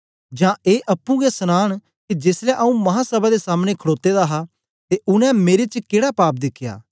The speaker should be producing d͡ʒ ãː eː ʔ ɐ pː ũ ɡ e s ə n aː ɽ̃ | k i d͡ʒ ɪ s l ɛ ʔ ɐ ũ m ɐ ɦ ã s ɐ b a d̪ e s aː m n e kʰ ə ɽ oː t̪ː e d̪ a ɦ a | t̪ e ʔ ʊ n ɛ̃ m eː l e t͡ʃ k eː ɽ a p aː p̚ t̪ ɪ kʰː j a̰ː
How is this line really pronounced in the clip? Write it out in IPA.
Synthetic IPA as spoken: d͡ʒ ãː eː ʔ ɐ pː ũ ɡ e s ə n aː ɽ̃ | k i d͡ʒ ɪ s l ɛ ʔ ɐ ũ m ɐ ɦ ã s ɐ b a d̪ e s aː m n e kʰ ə ɽ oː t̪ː e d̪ a ɦ a | t̪ e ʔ ʊ n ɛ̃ m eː ɾ e t͡ʃ k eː ɽ a p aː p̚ d̪ ɪ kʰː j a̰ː